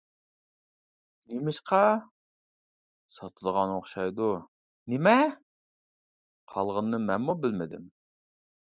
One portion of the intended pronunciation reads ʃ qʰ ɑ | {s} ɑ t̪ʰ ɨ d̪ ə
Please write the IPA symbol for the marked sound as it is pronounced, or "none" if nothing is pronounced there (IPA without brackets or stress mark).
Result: s